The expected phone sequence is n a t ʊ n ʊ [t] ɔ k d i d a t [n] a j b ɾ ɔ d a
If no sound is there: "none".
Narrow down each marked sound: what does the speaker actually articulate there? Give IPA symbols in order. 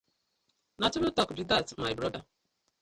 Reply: t, m

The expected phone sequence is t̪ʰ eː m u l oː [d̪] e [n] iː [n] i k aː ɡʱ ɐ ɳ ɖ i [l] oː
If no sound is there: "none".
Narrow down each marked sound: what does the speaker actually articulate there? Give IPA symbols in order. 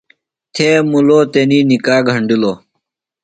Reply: t̪, n, n, l

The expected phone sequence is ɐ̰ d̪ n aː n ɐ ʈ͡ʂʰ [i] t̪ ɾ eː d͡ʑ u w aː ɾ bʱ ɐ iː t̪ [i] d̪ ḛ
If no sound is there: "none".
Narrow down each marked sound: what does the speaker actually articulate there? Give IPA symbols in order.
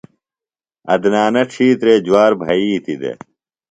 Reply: iː, i

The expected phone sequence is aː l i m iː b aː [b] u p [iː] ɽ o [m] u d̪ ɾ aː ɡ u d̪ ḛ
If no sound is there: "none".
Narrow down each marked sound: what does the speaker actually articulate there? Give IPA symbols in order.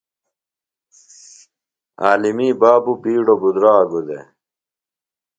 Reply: b, iː, b

